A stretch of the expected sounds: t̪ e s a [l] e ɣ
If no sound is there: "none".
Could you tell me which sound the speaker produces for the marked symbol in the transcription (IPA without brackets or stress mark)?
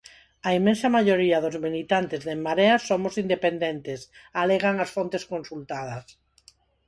l